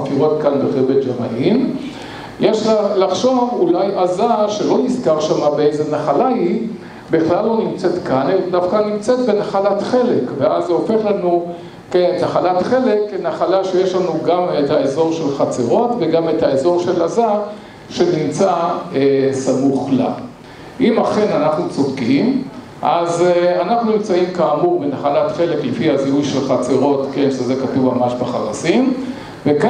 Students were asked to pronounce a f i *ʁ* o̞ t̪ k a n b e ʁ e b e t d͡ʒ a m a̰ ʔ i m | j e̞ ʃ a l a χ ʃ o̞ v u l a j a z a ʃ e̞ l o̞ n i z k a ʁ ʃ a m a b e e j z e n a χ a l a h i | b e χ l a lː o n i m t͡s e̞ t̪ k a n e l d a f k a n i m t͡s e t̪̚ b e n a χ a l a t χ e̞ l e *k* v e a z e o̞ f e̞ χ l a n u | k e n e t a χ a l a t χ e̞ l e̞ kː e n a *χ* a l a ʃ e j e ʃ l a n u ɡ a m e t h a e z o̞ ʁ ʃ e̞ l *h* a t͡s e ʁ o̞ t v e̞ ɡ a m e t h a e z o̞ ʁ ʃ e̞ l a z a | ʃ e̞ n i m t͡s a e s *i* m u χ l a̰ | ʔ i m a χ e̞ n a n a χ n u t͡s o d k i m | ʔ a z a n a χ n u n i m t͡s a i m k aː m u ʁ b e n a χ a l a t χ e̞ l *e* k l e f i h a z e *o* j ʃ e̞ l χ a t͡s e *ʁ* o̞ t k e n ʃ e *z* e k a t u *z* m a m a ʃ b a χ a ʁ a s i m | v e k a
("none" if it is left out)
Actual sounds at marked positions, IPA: ʁ, k, χ, χ, a, e, u, ʁ, z, v

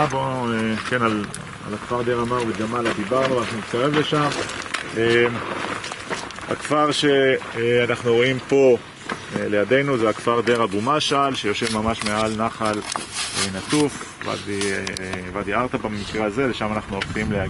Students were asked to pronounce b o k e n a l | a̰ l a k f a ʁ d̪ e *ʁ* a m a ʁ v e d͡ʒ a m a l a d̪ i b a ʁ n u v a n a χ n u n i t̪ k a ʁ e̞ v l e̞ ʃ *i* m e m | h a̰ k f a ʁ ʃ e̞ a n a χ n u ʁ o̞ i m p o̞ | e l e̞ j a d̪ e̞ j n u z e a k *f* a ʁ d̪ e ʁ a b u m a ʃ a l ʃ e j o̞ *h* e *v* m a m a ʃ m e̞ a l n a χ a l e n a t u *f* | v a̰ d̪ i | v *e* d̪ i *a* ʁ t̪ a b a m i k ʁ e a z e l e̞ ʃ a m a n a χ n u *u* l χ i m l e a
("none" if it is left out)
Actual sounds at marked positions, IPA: ʁ, a, f, ʃ, v, f, a, a, o

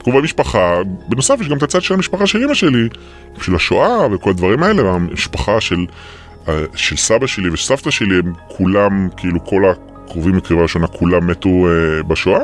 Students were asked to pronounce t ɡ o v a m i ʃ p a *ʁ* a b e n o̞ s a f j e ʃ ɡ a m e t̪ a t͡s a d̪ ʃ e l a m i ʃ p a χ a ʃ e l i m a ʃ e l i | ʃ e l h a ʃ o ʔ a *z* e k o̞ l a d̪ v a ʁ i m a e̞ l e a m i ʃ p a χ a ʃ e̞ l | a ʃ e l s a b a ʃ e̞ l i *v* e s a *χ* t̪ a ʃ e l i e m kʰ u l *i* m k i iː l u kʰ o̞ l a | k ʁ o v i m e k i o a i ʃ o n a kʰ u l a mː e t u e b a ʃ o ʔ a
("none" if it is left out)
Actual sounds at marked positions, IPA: χ, v, v, f, a

